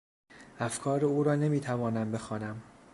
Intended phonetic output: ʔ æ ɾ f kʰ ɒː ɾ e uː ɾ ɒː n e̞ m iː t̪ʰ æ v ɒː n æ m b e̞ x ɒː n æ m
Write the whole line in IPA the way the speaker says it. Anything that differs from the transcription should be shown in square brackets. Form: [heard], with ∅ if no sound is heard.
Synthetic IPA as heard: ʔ æ [∅] f kʰ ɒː ɾ e uː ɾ ɒː n e̞ m iː t̪ʰ æ v ɒː n æ m b e̞ x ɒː n æ m